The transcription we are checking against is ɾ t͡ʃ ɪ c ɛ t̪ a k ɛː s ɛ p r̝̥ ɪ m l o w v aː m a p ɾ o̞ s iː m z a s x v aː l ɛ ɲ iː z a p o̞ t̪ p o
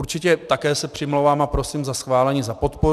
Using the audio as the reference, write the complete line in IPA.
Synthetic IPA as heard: ɾ t͡ʃ ɪ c ɛ t̪ a k ɛː s ɛ p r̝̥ ɪ m l o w v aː m a p ɾ o̞ s iː m z a s x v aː l ɛ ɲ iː z a p o̞ t̪ p o